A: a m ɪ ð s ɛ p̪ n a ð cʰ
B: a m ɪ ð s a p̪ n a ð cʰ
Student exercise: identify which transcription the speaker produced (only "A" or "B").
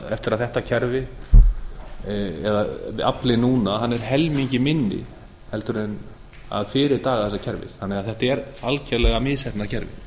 A